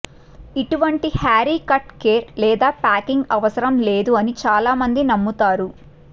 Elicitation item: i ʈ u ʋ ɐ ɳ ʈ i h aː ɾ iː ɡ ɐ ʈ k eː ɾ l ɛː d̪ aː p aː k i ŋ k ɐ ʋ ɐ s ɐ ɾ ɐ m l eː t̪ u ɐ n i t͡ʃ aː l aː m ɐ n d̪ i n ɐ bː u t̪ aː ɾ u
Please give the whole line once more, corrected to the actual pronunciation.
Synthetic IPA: i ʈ u ʋ ɐ ɳ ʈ i h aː ɾ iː k ɐ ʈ k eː ɾ l ɛː d̪ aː p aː k i ŋ ɡ ɐ ʋ ɐ s ɐ ɾ ɐ m l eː d̪ u ɐ n i t͡ʃ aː l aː m ɐ n d̪ i n ɐ mː u t̪ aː ɾ u

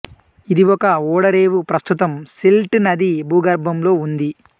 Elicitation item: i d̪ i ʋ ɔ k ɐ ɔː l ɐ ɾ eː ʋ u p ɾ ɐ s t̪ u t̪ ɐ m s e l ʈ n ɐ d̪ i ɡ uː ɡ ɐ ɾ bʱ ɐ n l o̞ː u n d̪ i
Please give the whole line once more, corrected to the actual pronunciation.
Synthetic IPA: i d̪ i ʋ ɔ k ɐ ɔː ɽ ɐ ɾ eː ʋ u p ɾ ɐ s t̪ u t̪ ɐ m s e l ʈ n ɐ d̪ i b uː ɡ ɐ ɾ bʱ ɐ m l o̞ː u n d̪ i

